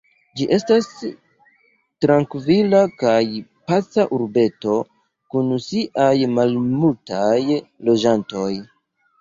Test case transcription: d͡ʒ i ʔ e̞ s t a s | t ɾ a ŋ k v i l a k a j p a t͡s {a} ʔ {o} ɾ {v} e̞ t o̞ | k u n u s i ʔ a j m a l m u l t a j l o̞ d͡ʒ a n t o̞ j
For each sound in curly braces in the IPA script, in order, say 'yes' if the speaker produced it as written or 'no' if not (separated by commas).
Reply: yes, no, no